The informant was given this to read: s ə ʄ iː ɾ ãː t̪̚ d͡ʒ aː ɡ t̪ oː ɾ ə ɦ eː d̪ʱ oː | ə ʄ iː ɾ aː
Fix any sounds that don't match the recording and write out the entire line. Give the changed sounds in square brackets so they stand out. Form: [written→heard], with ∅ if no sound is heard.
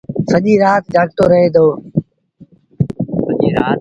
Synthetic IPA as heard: s ə ʄ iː ɾ [ãː→aː] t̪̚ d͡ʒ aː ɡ t̪ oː ɾ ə ɦ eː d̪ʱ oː | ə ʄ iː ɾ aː

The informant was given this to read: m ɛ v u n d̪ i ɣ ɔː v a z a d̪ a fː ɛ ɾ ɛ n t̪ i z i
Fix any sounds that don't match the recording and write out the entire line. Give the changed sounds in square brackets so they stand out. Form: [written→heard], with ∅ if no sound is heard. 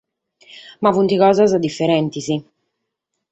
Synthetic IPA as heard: m [ɛ→a] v u n [d̪→t̪] i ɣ ɔː [v→z] a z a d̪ [a→i] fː ɛ ɾ ɛ n t̪ i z i

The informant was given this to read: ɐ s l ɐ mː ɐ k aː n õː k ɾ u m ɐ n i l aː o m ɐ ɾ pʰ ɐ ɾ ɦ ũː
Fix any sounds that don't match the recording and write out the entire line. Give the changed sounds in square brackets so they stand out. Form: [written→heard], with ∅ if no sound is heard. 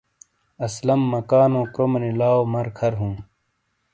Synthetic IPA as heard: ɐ s l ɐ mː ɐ k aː n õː k ɾ [u→o] m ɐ n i l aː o m ɐ ɾ [pʰ→kʰ] ɐ ɾ ɦ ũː

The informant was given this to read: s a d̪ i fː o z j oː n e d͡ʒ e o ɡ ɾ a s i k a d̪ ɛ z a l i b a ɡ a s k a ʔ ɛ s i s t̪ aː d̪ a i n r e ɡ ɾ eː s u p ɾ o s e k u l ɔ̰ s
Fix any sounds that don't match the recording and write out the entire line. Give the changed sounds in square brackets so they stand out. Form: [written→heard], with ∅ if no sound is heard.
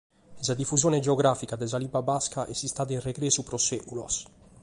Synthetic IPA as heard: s a d̪ i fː [o→u] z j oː n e d͡ʒ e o ɡ ɾ a [s→f] i k a d̪ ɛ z a l i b a [ɡ→b] a s k a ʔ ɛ s i s t̪ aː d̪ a i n r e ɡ ɾ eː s u p ɾ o s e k u l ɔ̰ s

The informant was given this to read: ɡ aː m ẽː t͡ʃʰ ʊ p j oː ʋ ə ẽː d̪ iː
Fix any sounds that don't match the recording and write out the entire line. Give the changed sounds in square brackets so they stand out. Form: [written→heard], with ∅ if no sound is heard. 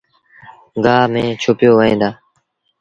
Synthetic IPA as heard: ɡ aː m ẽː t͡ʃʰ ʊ p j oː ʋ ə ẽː d̪ [iː→aː]

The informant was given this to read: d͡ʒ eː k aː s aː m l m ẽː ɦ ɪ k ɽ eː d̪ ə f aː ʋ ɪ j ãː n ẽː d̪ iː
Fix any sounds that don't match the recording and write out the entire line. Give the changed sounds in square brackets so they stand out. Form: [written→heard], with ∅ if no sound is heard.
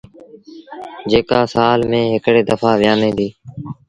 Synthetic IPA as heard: d͡ʒ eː k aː s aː [m→∅] l m ẽː ɦ ɪ k ɽ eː d̪ ə f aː ʋ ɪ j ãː n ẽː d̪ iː

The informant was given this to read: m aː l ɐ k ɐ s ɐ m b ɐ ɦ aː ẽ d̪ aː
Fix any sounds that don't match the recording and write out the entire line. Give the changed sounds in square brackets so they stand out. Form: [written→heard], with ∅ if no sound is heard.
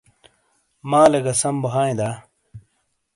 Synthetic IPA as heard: m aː l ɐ [k→ɡ] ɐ s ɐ m b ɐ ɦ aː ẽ d̪ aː

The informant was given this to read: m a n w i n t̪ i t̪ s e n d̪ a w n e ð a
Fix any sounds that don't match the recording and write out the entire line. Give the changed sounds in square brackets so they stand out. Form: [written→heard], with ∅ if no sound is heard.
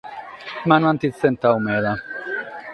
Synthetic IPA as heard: m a n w [i→a] n t̪ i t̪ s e n [d̪→t̪] a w [n→m] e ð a

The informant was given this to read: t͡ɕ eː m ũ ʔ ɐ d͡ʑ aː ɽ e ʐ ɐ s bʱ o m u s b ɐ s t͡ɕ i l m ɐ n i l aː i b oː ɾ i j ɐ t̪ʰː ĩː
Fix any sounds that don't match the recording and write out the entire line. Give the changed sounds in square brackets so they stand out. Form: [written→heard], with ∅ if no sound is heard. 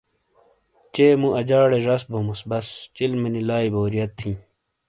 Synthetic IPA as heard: t͡ɕ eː m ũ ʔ ɐ d͡ʑ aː ɽ e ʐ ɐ s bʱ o m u s b ɐ s t͡ɕ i l m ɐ n i l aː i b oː ɾ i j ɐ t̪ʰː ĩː

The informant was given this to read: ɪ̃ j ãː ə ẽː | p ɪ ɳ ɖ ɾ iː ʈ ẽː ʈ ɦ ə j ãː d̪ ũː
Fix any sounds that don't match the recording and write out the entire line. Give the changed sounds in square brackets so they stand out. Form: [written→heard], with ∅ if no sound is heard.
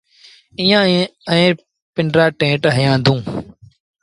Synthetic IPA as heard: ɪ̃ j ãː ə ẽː | p ɪ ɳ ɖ ɾ [iː→aː] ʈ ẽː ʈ ɦ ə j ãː d̪ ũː

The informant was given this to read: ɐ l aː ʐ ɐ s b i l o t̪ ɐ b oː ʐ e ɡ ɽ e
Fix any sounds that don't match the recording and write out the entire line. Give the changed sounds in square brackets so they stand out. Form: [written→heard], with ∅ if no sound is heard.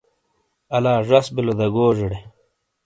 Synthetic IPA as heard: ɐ l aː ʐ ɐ s b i l o [t̪→d̪] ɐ [b→ɡ] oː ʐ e [ɡ→∅] ɽ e

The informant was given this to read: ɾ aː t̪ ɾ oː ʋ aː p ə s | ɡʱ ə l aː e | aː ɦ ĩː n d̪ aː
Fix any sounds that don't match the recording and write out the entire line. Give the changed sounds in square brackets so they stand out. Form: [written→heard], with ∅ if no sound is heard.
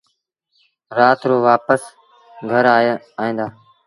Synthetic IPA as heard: ɾ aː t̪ ɾ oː ʋ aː p ə s | ɡʱ ə [l→ɾ] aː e | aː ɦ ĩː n d̪ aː

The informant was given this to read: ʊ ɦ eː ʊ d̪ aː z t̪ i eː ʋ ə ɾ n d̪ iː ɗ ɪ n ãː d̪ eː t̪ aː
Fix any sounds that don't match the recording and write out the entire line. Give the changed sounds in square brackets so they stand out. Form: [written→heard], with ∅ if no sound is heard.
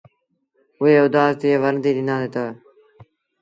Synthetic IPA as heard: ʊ ɦ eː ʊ d̪ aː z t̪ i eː ʋ ə ɾ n d̪ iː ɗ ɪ n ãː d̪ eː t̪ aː

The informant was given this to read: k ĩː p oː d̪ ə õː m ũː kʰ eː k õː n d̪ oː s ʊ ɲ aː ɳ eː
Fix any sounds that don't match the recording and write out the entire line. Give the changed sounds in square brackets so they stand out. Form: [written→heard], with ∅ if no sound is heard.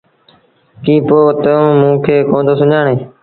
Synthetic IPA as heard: k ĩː p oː [d̪→t̪] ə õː m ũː kʰ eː k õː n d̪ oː s ʊ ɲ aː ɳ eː

